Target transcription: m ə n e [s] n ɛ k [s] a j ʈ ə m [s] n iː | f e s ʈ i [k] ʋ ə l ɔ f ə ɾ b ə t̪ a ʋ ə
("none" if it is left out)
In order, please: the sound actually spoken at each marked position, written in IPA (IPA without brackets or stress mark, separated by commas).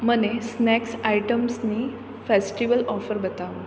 s, s, s, none